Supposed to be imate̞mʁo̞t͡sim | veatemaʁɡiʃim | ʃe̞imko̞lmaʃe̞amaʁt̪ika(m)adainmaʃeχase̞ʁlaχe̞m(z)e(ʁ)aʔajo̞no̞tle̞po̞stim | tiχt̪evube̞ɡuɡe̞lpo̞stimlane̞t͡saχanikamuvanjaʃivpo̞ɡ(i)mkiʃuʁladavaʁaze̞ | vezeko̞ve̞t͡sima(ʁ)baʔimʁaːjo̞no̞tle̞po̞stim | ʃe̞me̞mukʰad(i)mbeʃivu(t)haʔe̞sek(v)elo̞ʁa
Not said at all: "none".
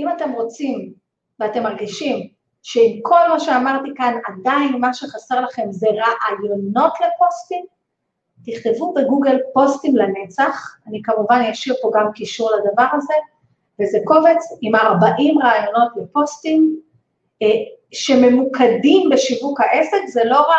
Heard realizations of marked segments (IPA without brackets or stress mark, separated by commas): n, z, ʁ, a, ʁ, i, k, z